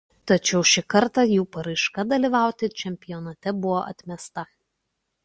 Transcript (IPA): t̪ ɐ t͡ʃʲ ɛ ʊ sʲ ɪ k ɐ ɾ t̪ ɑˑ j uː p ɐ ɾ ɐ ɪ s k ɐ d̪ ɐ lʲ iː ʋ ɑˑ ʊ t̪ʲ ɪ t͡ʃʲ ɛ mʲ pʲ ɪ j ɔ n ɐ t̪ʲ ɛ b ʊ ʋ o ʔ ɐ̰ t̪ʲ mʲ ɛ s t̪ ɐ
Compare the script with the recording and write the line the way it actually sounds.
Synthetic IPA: t̪ ɐ t͡ʃʲ ɛ ʊ ʃʲ ɪ k ɐ ɾ t̪ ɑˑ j uː p ɐ ɾ ɐ ɪ ʃ k ɐ d̪ ɐ lʲ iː ʋ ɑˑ ʊ t̪ʲ ɪ t͡ʃʲ ɛ mʲ pʲ ɪ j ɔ n ɐ t̪ʲ ɛ b ʊ ʋ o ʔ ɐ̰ t̪ʲ mʲ ɛ s t̪ ɐ